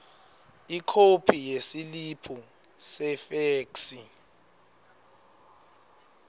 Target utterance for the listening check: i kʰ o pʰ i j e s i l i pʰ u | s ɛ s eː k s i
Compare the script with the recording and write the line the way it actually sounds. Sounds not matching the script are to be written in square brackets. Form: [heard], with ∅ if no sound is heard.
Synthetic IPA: i kʰ o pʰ i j e s i l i pʰ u | s ɛ [f] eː k s i